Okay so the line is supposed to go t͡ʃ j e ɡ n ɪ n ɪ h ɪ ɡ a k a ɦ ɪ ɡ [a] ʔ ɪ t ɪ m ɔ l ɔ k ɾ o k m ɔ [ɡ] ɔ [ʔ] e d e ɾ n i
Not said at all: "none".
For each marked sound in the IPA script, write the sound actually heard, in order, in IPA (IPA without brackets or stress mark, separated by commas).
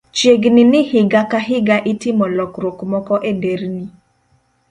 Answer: a, k, ʔ